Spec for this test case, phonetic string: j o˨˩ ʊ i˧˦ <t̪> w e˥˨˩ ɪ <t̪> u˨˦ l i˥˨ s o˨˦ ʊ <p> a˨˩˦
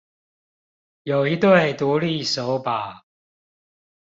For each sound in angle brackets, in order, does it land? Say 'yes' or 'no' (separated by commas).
yes, yes, yes